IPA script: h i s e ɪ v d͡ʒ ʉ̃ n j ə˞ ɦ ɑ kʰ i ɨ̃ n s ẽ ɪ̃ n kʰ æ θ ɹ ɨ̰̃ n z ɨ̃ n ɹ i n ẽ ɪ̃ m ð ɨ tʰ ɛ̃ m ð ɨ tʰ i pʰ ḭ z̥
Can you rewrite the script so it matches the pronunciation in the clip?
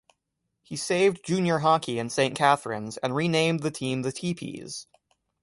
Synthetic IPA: h i s e ɪ v d͡ʒ ʉ̃ n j ə˞ ɦ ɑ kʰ i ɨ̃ n s ẽ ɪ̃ n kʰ æ θ ɹ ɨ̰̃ n z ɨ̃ n ɹ i n ẽ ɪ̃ m ð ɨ tʰ ĩ m ð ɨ tʰ i pʰ ḭ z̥